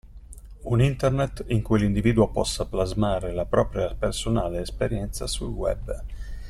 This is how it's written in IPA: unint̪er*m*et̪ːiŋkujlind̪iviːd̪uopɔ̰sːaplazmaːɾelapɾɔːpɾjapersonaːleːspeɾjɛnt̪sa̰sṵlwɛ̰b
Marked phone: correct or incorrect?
incorrect: n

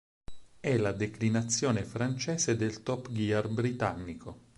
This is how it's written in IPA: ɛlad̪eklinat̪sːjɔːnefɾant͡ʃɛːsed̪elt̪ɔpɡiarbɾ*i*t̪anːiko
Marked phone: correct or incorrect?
correct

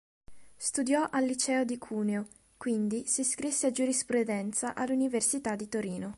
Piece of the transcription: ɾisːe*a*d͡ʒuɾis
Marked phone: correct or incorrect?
correct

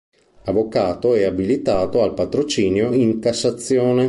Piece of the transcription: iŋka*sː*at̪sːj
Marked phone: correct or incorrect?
correct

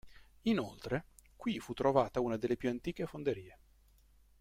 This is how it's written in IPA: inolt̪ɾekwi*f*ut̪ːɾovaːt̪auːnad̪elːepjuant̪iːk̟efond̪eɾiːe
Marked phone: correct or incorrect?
correct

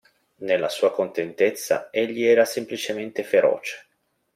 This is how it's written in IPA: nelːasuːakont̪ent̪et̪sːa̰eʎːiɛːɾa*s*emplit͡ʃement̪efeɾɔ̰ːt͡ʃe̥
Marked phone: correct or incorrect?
correct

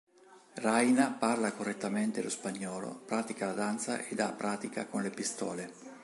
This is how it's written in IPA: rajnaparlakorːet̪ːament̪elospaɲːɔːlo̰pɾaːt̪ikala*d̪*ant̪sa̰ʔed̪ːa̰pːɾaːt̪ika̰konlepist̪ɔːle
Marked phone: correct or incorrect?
correct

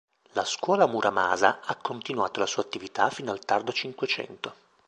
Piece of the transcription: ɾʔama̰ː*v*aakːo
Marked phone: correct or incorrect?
incorrect: z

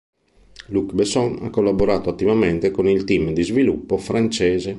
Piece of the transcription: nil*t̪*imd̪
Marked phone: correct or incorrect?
correct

